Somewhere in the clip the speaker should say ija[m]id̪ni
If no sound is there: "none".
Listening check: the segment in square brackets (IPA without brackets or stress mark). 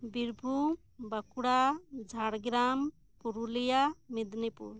m